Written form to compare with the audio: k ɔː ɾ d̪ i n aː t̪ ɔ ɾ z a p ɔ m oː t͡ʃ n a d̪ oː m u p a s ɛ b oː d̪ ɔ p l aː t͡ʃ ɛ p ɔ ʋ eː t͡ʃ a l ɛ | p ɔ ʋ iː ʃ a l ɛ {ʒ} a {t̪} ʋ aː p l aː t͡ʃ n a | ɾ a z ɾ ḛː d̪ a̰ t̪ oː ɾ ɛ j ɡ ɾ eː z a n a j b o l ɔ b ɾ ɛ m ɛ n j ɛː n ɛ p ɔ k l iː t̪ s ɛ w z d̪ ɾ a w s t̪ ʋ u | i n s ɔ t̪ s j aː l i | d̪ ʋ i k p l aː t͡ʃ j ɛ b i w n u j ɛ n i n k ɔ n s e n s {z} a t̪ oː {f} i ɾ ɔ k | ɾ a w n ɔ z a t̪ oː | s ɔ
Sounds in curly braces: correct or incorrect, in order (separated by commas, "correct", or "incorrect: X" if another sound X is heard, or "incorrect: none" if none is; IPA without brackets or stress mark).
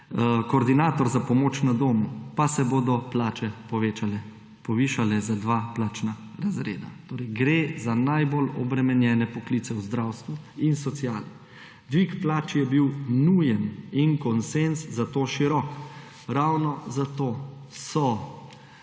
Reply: incorrect: z, incorrect: d̪, correct, incorrect: ʃ